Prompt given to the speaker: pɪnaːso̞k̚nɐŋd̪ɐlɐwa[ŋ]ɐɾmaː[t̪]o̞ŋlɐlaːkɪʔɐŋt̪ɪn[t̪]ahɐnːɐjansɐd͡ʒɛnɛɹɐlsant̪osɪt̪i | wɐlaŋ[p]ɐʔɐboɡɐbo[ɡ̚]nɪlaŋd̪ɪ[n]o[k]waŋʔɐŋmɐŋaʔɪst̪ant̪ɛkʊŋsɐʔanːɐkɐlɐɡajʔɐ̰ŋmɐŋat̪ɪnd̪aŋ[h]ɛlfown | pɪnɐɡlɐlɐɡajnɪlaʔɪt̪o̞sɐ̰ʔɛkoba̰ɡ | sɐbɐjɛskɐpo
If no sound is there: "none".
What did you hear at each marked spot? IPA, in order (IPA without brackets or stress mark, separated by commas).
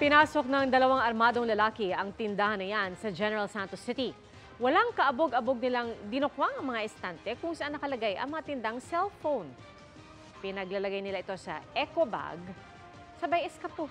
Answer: ŋ, d̪, d̪, k, ɡ̚, n, k, s